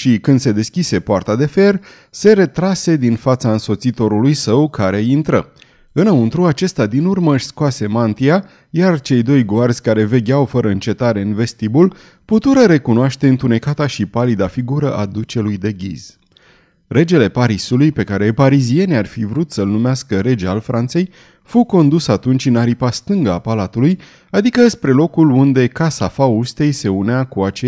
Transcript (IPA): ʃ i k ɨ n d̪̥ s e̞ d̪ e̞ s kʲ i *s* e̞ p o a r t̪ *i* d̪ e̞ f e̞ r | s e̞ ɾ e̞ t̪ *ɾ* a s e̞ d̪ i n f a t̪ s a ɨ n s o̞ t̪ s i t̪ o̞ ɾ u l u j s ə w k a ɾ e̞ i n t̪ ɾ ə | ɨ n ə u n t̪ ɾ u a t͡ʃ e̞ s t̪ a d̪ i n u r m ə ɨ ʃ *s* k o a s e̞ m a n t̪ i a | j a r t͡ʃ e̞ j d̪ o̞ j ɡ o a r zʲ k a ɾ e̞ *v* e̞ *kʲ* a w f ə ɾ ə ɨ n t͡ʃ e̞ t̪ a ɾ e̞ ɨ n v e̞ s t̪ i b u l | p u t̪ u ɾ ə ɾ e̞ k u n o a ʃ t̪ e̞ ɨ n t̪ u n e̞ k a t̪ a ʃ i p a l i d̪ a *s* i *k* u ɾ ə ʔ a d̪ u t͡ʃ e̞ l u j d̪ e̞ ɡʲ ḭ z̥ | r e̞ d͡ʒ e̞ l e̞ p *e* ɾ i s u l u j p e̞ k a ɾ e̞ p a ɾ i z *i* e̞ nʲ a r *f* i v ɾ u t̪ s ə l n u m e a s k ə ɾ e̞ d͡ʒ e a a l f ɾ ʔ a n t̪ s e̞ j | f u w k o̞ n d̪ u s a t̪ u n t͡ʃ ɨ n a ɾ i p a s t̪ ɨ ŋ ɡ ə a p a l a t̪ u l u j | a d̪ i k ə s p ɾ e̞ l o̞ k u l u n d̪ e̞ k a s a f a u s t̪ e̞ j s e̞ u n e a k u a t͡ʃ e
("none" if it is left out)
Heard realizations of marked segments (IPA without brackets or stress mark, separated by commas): s, a, ɾ, s, v, ɡʲ, f, ɡ, a, i, f